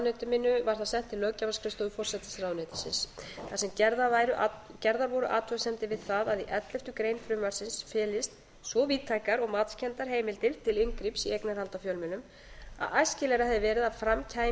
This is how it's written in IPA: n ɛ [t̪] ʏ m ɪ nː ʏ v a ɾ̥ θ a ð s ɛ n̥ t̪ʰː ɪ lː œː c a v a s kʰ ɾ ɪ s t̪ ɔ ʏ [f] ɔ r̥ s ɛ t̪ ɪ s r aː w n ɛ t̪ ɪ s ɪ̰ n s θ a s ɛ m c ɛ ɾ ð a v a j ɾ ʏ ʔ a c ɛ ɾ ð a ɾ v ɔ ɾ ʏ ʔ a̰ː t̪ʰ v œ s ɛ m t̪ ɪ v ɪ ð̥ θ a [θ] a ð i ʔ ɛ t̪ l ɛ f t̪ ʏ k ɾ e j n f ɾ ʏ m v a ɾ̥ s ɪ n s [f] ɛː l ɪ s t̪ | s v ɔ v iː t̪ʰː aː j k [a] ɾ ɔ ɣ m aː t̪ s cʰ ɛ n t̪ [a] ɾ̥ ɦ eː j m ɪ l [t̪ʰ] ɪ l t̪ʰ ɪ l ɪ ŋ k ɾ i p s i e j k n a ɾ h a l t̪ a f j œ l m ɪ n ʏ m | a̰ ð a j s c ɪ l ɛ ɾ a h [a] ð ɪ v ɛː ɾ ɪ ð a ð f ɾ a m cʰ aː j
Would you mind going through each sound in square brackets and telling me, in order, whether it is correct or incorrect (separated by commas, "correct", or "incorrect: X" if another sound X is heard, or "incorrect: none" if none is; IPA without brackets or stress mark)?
correct, correct, incorrect: ð, correct, correct, correct, incorrect: t̪, incorrect: ɛ